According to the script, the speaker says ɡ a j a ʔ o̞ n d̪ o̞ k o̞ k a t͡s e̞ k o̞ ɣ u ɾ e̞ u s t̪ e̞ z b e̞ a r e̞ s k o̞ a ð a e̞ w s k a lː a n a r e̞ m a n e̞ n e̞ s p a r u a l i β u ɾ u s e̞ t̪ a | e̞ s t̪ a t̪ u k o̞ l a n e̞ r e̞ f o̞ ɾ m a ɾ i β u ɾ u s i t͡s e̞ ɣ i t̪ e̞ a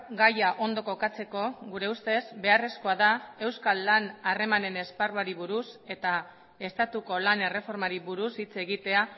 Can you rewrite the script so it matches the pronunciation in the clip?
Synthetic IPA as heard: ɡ a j a ʔ o̞ n d̪ o̞ k o̞ k a t͡s e̞ k o̞ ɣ u ɾ e̞ u s t̪ e̞ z b e̞ a r e̞ s k o̞ a ð a e̞ w s k a lː a n a r e̞ m a n e̞ n e̞ s p a r u a ɾ i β u ɾ u s e̞ t̪ a | e̞ s t̪ a t̪ u k o̞ l a n e̞ r e̞ f o̞ ɾ m a ɾ i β u ɾ u s i t͡s e̞ ɣ i t̪ e̞ a